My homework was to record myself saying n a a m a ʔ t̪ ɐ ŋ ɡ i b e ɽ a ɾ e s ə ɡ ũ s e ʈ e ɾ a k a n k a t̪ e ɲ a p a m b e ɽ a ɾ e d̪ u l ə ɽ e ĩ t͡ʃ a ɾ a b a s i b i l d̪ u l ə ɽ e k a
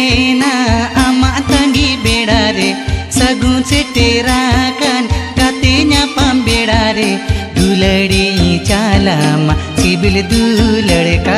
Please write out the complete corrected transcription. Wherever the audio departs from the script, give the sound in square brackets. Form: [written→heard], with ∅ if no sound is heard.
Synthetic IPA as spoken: n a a m a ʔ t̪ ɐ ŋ ɡ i b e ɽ a ɾ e s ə ɡ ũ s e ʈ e ɾ a k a n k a t̪ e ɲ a p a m b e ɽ a ɾ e d̪ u l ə ɽ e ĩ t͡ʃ a [ɾ→l] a [b→m] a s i b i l d̪ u l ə ɽ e k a